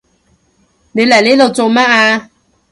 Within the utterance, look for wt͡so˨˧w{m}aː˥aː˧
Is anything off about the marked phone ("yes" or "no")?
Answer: no